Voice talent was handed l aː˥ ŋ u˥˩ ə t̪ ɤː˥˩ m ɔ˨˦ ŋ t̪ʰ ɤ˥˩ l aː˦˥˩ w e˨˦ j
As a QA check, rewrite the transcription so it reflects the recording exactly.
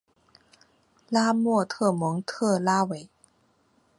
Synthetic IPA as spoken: l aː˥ m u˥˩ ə t̪ʰ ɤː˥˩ m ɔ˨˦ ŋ t̪ʰ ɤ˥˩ l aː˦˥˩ w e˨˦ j